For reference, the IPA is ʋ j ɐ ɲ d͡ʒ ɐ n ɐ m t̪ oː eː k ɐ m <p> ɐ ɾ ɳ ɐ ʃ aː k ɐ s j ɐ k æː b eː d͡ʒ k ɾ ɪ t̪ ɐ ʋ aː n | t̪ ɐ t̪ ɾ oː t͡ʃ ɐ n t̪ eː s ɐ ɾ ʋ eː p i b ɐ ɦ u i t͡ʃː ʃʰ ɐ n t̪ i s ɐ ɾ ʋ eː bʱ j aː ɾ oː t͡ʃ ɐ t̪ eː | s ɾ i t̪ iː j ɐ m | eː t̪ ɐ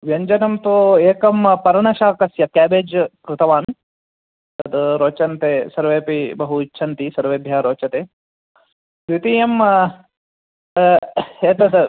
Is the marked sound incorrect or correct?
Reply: correct